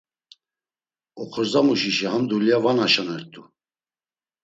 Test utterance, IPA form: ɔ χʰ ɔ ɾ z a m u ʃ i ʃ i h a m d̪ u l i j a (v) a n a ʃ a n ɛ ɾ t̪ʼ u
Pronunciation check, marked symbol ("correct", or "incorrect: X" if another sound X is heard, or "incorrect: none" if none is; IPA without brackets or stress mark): correct